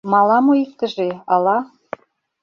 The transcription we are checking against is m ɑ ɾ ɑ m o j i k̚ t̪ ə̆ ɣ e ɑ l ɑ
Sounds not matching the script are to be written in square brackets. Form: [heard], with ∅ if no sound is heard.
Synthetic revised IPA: m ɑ [l] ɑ m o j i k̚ t̪ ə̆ [ʒ] e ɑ l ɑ